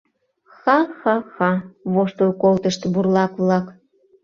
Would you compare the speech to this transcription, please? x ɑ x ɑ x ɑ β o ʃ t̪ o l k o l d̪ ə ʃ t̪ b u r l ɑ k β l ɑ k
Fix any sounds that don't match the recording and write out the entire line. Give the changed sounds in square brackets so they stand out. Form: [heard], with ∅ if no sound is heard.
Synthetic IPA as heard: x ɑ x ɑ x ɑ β o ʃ t̪ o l k o l [t̪] ə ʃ t̪ b u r l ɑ k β l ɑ k